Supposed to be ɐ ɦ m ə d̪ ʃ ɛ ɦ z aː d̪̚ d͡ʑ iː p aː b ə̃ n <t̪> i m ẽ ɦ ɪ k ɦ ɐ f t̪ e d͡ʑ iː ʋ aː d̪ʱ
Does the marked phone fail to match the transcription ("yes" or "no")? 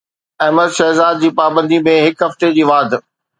yes